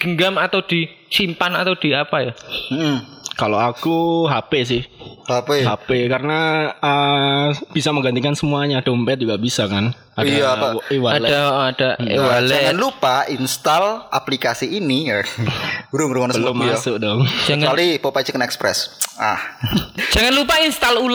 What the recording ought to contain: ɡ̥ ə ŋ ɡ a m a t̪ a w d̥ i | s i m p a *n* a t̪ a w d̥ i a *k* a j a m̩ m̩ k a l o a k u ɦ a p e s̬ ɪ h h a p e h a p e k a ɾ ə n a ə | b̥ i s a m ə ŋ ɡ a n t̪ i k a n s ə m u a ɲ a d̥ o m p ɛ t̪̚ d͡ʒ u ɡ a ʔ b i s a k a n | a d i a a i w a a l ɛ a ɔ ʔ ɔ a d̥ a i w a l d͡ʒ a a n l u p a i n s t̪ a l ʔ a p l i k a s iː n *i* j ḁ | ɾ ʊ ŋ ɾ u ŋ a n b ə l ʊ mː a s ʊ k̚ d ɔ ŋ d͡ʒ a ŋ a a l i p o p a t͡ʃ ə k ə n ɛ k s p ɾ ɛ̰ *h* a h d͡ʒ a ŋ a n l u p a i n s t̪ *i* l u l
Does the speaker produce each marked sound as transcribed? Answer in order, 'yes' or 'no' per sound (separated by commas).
yes, no, yes, no, no